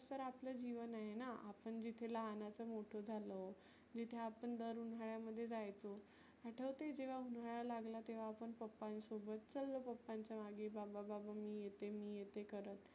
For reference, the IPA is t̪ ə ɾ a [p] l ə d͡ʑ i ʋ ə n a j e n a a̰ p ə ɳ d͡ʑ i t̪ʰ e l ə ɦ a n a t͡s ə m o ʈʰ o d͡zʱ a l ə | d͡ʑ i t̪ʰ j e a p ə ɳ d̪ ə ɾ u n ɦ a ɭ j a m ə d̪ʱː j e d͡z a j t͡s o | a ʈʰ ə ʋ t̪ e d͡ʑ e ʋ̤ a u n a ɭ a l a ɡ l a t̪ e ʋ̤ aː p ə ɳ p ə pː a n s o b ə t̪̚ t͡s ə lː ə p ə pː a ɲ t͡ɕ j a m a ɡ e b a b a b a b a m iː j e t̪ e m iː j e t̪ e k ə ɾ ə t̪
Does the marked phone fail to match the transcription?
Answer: no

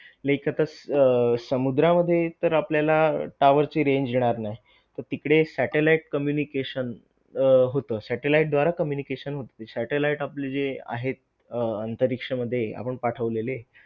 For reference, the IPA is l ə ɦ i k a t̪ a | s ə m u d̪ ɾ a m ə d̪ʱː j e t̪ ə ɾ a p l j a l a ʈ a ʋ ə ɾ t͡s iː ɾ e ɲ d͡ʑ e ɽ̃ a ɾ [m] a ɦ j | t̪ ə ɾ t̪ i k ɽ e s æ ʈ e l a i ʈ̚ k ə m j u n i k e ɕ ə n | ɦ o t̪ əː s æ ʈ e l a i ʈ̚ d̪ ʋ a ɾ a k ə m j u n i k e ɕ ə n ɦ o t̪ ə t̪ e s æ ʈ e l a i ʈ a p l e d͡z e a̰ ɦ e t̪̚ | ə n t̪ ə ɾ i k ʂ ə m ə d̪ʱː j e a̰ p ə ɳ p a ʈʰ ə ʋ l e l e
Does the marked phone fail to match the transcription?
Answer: yes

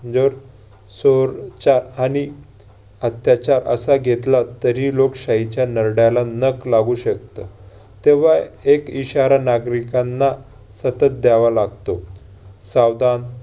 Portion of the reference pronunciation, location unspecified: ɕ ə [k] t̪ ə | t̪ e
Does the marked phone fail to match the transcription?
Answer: no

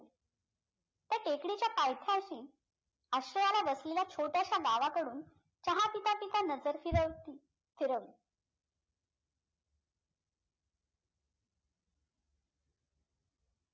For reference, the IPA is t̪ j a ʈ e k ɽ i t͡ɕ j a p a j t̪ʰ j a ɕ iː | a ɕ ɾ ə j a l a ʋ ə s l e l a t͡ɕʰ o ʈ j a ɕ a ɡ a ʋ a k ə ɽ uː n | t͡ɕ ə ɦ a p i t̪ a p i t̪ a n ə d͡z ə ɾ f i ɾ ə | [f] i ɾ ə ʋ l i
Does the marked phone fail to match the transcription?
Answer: no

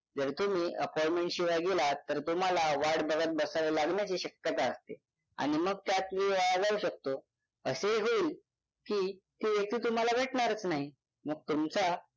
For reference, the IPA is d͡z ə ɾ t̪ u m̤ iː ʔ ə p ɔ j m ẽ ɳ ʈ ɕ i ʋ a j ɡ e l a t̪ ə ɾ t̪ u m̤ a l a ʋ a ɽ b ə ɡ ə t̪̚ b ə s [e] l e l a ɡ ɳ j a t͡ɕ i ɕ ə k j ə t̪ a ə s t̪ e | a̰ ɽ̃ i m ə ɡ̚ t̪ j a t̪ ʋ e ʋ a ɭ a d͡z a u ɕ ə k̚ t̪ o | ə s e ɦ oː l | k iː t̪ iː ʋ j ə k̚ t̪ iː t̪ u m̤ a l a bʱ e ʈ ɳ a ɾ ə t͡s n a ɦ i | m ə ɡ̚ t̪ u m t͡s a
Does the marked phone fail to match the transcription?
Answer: yes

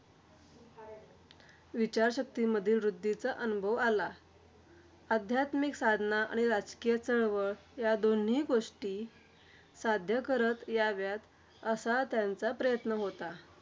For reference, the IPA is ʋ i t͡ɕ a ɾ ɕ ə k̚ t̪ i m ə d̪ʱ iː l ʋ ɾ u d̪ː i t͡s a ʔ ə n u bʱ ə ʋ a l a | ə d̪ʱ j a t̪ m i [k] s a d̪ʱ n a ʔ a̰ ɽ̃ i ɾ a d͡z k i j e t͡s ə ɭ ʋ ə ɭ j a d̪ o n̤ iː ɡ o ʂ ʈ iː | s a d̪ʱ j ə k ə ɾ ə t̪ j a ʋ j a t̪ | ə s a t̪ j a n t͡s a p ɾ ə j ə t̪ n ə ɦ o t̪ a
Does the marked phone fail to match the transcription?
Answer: no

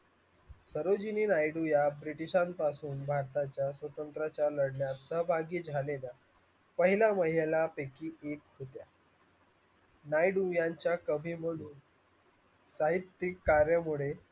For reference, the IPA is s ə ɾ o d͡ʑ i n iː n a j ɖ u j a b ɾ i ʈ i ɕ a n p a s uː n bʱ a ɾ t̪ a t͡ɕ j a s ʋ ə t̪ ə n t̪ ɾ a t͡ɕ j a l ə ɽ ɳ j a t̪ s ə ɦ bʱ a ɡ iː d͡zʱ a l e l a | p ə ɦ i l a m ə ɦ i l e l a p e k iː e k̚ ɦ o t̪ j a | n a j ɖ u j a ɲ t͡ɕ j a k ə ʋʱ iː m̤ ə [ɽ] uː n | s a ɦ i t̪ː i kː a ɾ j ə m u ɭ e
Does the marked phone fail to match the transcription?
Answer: no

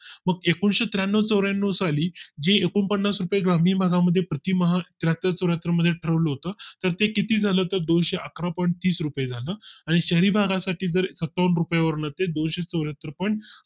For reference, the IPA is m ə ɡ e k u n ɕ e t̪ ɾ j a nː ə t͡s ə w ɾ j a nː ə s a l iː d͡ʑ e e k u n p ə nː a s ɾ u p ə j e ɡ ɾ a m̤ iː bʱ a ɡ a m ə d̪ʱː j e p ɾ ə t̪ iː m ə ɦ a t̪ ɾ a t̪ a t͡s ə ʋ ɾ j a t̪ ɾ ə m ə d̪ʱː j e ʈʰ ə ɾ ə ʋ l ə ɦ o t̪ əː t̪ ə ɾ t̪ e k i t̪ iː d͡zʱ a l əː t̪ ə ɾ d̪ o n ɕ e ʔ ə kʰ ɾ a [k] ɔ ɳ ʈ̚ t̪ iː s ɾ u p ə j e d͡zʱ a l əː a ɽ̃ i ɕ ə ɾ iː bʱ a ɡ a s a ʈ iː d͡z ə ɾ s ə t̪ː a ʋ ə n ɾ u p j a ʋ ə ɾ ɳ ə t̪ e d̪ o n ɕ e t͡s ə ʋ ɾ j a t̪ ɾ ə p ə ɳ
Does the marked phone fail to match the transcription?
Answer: yes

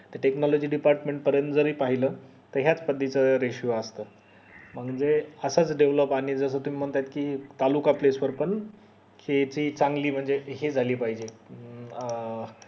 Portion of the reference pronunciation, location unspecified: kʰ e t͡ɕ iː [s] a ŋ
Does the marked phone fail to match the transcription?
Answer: yes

